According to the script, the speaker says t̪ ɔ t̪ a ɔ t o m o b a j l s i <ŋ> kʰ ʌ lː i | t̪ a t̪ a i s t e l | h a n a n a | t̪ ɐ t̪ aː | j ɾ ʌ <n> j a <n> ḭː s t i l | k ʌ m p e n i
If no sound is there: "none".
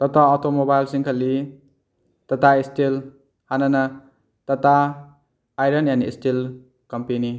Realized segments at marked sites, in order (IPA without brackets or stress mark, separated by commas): ŋ, n, n